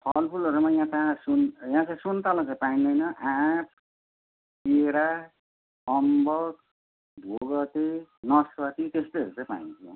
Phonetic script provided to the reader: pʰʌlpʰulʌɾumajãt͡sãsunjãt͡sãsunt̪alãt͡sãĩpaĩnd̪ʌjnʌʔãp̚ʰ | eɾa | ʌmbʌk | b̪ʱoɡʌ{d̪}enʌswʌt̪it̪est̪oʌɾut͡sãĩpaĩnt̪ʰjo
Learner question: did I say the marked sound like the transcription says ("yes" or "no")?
no